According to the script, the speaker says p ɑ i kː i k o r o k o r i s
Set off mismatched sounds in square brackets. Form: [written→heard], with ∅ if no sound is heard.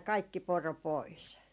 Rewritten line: [p→k] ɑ i kː i [k→p] o r o [k→p] o [r→∅] i s